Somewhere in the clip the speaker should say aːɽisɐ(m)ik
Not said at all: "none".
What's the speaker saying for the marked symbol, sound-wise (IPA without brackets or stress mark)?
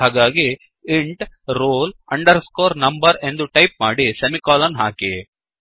m